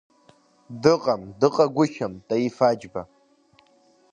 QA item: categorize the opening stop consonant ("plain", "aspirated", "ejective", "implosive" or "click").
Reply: plain